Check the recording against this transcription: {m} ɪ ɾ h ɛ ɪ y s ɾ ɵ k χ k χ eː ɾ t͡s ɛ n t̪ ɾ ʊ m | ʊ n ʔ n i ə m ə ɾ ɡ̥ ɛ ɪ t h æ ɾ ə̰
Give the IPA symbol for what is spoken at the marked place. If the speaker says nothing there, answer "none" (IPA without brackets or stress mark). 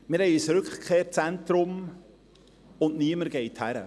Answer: m